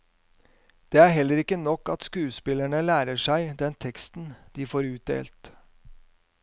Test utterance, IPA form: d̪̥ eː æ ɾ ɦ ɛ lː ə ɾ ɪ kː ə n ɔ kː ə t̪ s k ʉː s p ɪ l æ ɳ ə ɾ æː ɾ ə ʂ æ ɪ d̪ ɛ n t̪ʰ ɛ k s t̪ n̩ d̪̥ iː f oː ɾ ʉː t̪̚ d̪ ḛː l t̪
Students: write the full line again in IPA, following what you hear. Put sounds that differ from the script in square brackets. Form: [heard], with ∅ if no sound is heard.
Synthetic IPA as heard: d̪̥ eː æ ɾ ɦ ɛ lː ə ɾ ɪ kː ə n ɔ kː [ɑ] t̪ s k ʉː s p ɪ l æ ɳ ə [l] æː ɾ ə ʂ æ ɪ d̪ ɛ n t̪ʰ ɛ k s t̪ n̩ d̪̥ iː f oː ɾ ʉː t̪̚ d̪ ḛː l t̪